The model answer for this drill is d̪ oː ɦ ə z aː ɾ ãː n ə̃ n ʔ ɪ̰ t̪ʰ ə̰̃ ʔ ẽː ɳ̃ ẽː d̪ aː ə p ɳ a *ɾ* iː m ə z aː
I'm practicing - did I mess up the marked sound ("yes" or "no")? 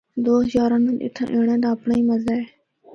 yes